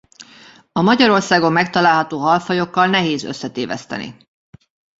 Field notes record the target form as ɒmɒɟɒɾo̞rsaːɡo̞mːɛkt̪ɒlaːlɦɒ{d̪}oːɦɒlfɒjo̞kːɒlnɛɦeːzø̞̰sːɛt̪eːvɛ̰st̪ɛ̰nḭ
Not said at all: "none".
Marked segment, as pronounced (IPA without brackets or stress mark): t̪